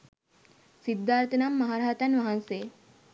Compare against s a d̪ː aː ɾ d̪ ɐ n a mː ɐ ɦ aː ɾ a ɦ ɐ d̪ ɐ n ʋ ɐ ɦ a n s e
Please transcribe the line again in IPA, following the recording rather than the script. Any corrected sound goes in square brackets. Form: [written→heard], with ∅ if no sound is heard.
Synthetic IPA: s [a→i] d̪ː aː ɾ [d̪→t̪] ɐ n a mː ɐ ɦ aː ɾ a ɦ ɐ [d̪→t̪] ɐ n ʋ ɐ ɦ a n s e